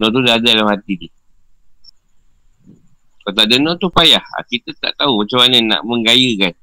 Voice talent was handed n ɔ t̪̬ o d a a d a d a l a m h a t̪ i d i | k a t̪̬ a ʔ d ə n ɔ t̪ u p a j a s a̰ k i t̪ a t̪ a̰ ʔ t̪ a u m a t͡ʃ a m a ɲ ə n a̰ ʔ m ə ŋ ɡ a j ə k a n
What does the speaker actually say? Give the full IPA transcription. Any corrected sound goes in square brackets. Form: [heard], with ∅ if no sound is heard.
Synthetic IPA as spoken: n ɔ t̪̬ [u] d a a d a d a l a m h a t̪ i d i | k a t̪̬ a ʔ d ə n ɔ t̪ u p a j a [h] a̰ k i t̪ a t̪ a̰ ʔ t̪ a u m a t͡ʃ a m a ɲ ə n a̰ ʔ m ə ŋ ɡ a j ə k a n